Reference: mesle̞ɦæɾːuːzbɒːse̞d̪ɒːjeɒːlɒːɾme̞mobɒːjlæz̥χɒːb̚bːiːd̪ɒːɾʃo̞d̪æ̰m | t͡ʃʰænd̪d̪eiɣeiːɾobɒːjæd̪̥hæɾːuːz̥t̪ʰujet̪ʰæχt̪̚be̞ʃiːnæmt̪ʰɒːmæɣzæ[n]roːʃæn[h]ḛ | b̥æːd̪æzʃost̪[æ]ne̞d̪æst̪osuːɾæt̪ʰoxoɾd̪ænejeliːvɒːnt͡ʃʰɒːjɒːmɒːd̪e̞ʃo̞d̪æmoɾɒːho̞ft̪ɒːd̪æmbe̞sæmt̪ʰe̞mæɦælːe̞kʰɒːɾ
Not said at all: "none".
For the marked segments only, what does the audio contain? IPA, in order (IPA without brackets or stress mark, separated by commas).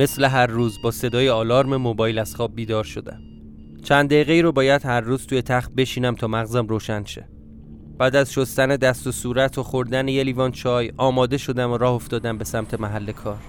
m, ʃ, æ